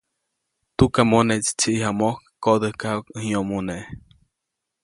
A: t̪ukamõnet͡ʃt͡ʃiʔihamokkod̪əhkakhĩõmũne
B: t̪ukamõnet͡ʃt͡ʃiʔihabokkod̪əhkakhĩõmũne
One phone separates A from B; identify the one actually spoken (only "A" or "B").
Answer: A